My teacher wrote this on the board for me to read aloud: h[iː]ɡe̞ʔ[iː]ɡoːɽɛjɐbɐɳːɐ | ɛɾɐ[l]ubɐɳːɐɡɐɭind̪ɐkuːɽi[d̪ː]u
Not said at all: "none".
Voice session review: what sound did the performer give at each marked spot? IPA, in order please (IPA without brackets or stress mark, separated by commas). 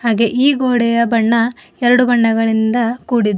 aː, iː, ɽ, d̪